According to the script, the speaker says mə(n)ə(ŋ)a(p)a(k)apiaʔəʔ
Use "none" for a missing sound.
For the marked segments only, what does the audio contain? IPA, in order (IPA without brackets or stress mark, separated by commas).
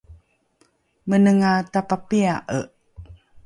n, ŋ, t, p